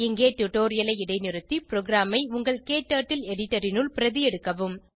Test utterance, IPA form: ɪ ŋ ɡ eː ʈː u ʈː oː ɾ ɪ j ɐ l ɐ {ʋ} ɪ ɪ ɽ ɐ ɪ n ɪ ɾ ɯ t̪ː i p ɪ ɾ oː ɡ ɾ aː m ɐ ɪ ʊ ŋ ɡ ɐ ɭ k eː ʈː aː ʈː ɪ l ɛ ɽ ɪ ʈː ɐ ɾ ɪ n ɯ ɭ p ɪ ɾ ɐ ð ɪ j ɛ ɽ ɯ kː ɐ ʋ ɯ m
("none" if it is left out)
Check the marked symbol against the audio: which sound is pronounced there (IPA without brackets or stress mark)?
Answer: none